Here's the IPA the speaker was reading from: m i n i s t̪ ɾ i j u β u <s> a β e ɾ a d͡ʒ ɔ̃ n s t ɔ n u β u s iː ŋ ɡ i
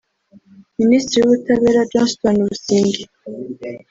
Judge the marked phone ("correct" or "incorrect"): incorrect